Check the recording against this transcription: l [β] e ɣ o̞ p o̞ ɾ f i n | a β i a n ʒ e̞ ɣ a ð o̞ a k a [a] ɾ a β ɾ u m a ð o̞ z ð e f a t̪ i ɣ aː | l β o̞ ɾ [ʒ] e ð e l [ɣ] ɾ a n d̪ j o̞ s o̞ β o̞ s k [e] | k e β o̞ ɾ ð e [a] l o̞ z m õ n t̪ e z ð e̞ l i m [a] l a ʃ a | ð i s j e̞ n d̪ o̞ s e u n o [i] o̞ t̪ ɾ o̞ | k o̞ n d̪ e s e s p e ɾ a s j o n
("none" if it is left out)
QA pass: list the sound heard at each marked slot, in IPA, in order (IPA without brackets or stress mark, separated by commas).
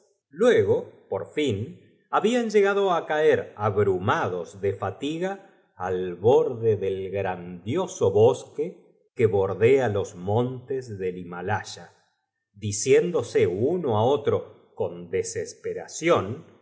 w, e, ð, ɣ, e, a, a, a